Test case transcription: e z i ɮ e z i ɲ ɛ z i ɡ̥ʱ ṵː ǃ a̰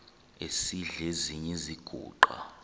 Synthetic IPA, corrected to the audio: e s i ɮ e z i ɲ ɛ z i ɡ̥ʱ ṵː ǃ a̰